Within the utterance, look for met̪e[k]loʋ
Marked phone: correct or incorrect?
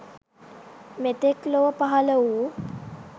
correct